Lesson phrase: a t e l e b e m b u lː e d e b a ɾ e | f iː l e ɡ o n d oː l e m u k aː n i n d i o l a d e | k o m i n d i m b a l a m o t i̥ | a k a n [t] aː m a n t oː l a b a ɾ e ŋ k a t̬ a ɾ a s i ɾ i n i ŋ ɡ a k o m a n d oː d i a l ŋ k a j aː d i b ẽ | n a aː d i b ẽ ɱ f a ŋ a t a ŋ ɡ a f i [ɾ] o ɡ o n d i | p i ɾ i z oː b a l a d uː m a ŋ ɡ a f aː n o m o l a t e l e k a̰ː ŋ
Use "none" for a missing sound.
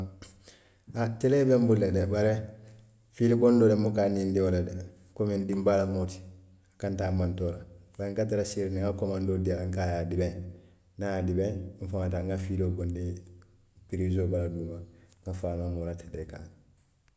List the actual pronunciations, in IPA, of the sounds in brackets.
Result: t, l

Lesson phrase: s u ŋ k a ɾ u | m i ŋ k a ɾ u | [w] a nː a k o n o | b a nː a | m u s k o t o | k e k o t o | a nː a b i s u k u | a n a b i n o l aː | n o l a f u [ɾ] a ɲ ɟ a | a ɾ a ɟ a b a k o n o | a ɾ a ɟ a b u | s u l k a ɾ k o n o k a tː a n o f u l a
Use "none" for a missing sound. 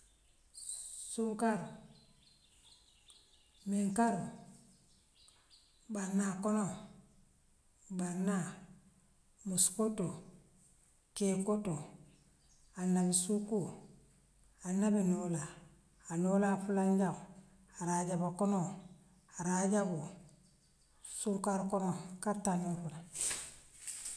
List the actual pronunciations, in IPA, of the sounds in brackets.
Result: b, l

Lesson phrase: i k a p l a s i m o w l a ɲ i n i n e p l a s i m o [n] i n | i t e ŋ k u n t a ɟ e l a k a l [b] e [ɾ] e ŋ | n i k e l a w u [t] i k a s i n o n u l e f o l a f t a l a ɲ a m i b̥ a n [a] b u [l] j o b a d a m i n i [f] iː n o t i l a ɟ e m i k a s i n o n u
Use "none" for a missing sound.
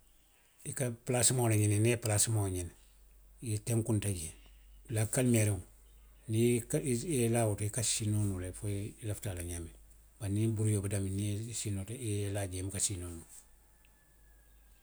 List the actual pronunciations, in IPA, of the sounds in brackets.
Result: ɲ, m, ɾ, t, i, ɾ, s

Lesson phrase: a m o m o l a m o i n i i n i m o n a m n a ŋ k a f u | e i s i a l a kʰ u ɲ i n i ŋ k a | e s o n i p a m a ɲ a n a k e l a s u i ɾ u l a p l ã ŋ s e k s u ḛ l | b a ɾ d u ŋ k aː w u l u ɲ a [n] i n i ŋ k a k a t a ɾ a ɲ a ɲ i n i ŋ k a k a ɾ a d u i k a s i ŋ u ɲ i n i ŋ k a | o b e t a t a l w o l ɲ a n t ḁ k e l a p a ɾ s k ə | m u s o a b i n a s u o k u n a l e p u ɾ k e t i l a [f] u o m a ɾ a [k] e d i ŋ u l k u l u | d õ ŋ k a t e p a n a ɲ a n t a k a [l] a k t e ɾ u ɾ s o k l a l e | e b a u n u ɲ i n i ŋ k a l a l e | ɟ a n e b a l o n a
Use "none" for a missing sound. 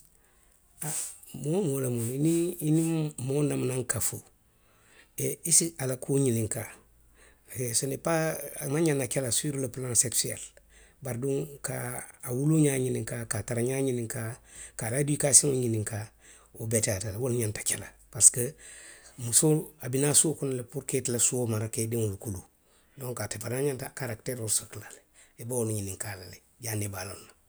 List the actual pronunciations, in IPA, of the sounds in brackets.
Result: ɲ, s, k, ɾ

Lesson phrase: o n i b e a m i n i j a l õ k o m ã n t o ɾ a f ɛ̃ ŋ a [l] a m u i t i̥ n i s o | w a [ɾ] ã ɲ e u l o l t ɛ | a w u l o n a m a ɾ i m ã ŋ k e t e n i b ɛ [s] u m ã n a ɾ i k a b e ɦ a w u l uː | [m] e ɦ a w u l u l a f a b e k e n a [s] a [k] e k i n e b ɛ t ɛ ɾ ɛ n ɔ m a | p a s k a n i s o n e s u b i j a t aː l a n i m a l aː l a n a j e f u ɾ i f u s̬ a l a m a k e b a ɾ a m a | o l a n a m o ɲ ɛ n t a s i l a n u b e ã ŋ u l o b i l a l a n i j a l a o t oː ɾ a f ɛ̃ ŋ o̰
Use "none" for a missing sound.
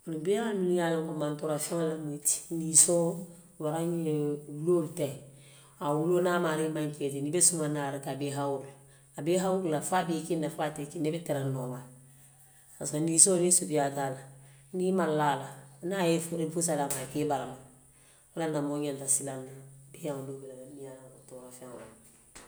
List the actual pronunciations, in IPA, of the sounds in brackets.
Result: l, ɾ, s, b, f, t

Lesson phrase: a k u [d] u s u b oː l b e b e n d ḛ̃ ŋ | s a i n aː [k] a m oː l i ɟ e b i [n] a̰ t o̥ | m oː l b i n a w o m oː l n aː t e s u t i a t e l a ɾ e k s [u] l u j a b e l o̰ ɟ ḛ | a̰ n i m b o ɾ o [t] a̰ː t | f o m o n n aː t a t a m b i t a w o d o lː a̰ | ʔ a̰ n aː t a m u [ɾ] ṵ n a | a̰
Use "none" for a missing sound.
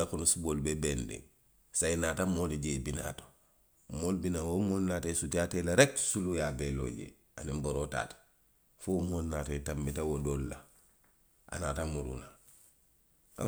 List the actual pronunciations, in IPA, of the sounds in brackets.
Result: n, t, n, u, t, ɾ

